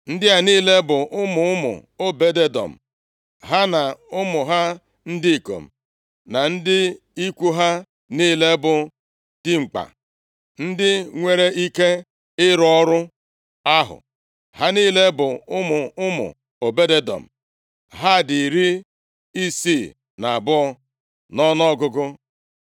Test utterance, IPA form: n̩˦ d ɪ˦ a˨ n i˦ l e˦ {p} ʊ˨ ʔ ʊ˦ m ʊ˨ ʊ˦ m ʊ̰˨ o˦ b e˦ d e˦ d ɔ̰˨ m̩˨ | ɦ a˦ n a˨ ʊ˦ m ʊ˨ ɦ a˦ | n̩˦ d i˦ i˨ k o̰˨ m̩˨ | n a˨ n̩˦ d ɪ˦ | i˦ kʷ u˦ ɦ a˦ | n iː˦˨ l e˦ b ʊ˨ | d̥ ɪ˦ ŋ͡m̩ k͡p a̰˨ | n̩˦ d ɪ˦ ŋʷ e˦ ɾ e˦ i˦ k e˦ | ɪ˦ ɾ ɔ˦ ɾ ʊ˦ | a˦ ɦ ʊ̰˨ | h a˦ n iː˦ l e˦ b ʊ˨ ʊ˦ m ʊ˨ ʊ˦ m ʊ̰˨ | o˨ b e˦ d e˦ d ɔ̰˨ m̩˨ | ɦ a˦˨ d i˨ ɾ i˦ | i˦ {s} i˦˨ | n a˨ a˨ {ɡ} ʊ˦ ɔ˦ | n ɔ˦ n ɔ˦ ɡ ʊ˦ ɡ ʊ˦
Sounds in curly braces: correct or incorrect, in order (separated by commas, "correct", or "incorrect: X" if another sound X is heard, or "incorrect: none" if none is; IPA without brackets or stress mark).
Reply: incorrect: b, correct, incorrect: b